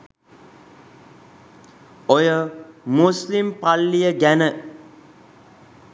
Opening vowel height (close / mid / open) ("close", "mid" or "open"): mid